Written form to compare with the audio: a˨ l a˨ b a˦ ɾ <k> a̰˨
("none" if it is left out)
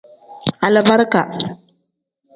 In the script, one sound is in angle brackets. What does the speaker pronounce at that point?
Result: k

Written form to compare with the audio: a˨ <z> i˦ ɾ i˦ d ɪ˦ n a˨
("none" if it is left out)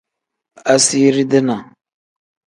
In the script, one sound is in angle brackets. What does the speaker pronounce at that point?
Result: s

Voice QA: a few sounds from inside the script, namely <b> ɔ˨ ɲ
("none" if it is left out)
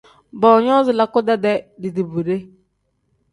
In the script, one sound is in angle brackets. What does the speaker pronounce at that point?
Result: b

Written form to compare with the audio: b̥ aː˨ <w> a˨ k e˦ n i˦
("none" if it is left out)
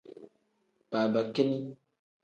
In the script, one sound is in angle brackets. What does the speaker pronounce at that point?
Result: b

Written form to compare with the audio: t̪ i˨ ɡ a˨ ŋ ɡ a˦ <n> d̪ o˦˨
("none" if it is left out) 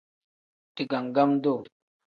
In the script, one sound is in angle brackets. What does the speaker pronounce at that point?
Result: m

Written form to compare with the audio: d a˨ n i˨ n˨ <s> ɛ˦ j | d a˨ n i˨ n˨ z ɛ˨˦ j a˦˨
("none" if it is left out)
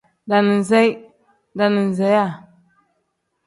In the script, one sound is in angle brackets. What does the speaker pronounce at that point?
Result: z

